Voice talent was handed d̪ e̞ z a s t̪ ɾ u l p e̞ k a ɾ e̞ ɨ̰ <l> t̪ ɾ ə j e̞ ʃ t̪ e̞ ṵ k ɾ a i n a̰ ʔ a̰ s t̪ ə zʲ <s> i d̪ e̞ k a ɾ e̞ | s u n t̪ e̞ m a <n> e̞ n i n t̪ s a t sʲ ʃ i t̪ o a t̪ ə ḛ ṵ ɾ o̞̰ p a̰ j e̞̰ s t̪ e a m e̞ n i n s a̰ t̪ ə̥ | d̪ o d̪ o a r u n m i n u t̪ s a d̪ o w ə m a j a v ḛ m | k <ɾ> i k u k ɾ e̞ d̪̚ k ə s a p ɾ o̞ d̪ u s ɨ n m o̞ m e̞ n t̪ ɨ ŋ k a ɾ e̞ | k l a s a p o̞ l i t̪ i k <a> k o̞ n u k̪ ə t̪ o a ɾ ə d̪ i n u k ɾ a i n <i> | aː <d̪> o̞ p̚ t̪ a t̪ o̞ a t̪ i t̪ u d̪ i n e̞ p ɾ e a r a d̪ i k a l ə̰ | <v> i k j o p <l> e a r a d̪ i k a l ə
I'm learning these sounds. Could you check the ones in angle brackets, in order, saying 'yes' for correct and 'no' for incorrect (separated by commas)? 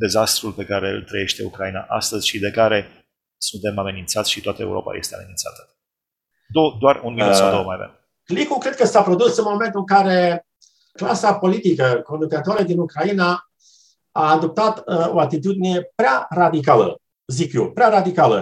yes, no, no, no, no, no, yes, no, no